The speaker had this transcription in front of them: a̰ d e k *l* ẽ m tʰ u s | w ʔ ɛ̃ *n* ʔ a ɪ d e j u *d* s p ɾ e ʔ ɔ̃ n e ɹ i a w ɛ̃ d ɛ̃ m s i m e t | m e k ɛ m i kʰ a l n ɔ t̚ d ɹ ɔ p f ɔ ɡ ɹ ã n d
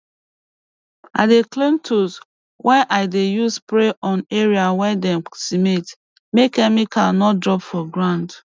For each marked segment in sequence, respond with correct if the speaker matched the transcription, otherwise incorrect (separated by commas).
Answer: correct, correct, incorrect